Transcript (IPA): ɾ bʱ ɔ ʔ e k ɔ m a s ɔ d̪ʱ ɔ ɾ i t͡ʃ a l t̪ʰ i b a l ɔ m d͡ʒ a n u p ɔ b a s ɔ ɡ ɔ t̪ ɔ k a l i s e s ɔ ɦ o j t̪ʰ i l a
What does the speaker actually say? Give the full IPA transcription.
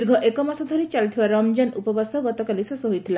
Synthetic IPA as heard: ɾ ɡʱ ɔ ʔ e k ɔ m a s ɔ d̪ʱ ɔ ɾ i t͡ʃ a l t̪ʰ i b a ɾ ɔ m d͡ʒ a n u p ɔ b a s ɔ ɡ ɔ t̪ ɔ k a l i s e s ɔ ɦ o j t̪ʰ i l a